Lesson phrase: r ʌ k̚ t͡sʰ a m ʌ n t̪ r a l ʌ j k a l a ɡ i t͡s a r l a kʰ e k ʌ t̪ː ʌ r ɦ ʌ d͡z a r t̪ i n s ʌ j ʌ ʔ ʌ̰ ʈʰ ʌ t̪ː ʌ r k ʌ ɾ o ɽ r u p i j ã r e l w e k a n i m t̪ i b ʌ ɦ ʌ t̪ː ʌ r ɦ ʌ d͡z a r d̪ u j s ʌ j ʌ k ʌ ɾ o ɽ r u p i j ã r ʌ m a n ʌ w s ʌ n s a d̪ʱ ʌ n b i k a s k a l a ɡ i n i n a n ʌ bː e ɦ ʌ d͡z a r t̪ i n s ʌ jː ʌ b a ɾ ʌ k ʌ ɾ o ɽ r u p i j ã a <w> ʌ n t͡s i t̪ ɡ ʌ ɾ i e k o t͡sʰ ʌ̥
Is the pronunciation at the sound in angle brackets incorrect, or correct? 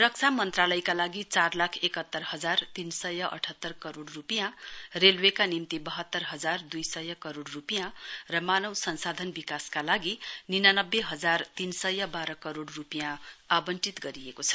incorrect